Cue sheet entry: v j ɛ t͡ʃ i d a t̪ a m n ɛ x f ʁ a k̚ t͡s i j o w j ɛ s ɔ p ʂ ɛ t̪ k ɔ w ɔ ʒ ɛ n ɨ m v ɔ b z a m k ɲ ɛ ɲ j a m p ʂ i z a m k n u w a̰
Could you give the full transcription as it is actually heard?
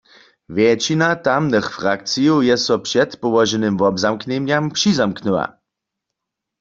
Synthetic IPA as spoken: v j ɛ t͡ʃ i n a t̪ a m n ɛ x f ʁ a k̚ t͡s i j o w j ɛ s ɔ p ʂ ɛ t̪ p ɔ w ɔ ʒ ɛ n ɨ m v ɔ b z a m k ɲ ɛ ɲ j a m p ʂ i z a m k n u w a̰